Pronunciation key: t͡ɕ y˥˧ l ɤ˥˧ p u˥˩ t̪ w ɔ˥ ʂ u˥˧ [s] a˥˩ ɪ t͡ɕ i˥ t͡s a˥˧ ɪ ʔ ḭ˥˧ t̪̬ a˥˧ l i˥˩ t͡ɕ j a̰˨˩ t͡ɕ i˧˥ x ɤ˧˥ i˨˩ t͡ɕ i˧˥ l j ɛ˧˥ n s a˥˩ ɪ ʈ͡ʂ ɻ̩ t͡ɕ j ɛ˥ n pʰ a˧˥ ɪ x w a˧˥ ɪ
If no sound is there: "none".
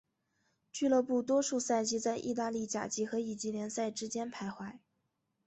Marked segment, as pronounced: s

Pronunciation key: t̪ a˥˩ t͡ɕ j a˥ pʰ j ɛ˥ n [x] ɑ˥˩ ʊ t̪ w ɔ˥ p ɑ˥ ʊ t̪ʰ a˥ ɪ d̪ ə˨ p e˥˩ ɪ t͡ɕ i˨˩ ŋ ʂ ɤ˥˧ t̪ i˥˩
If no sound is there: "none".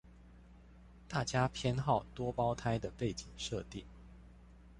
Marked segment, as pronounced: x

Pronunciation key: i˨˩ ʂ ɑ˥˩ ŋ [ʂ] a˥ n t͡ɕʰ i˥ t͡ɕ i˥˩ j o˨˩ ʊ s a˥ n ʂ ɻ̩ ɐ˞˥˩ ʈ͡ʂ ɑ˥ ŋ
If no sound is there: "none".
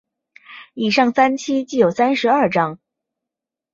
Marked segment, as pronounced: s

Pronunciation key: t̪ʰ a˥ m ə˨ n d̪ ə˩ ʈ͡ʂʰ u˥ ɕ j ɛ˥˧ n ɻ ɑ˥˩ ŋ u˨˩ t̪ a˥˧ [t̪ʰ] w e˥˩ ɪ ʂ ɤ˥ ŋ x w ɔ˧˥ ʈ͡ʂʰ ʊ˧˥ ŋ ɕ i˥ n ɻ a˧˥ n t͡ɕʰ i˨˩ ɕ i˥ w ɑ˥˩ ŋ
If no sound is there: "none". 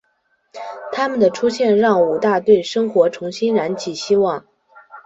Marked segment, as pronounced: t̪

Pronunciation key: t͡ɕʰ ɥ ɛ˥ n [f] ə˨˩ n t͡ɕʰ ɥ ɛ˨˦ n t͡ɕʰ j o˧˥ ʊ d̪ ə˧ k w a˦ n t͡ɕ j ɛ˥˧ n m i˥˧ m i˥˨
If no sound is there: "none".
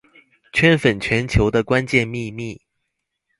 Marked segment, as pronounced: f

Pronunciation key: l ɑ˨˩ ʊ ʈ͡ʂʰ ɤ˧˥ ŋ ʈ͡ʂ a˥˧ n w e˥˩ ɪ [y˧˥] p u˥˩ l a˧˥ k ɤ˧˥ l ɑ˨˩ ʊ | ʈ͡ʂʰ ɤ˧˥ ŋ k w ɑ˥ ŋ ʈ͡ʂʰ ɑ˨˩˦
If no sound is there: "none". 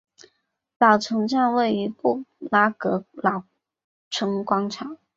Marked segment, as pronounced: i˧˥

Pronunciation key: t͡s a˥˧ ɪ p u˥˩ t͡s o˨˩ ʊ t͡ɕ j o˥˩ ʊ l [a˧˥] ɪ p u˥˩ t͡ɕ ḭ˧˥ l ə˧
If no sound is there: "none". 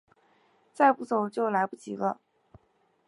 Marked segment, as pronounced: a˧˥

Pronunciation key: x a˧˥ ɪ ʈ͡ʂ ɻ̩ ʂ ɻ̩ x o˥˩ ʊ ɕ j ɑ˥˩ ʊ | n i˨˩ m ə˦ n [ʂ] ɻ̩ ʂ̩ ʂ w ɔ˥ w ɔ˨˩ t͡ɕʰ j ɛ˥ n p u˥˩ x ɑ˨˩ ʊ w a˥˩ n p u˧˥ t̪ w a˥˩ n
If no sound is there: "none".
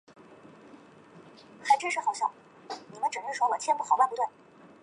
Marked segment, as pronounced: ʈ͡ʂ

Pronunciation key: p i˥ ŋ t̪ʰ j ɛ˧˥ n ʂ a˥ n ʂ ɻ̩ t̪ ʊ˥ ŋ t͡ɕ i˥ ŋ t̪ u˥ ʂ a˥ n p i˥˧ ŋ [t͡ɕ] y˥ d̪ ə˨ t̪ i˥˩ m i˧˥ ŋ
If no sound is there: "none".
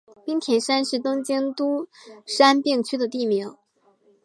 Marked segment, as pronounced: t͡ɕʰ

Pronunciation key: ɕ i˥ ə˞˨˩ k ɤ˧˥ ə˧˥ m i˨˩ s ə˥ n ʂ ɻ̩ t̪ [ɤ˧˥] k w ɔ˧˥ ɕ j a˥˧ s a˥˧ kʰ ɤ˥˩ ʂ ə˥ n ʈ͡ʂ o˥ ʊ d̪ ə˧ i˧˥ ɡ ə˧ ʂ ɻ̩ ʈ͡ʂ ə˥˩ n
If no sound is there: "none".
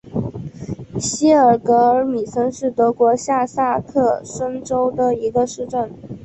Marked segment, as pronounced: ɤ˧˥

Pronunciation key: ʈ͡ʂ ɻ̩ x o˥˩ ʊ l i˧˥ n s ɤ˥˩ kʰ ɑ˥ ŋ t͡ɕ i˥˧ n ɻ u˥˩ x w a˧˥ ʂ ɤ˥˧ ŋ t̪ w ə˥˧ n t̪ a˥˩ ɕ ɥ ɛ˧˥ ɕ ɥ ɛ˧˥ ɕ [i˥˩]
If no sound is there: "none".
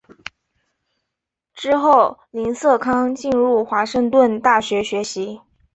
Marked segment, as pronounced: i˧˥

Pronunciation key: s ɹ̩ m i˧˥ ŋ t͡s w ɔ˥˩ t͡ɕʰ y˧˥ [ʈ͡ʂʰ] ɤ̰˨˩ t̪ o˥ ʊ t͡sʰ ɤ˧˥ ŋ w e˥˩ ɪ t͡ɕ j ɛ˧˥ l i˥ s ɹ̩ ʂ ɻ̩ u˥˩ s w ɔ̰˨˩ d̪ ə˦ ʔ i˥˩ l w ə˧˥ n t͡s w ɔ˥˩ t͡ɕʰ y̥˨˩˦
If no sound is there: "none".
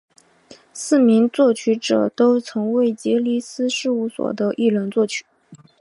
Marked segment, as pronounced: ʈ͡ʂ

